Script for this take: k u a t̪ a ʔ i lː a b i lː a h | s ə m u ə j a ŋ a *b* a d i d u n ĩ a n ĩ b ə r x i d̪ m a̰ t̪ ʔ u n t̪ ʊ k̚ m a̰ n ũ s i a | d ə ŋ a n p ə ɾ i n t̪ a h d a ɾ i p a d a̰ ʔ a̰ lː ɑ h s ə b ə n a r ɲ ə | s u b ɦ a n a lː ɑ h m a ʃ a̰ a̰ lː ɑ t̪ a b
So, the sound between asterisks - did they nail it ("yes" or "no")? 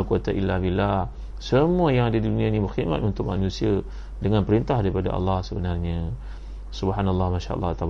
no